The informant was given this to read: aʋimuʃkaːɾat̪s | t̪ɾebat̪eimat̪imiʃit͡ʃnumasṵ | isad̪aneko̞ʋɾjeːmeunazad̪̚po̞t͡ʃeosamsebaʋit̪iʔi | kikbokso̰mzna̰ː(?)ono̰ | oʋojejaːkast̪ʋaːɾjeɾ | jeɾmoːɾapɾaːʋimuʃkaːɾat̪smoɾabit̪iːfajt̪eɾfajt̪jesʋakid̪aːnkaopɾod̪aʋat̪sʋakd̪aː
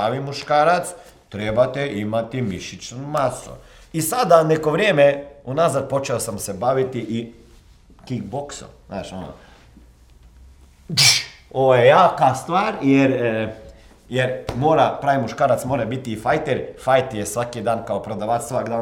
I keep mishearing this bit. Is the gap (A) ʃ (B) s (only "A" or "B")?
A